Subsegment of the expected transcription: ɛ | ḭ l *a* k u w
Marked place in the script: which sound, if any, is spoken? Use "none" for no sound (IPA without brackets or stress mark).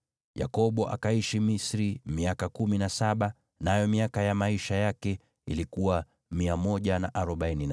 i